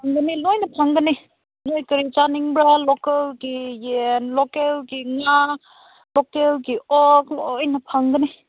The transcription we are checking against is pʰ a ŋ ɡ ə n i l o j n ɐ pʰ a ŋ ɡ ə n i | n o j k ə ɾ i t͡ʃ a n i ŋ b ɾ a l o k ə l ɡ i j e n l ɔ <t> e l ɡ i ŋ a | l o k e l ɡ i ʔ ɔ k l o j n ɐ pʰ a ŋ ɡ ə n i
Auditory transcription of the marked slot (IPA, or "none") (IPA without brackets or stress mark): k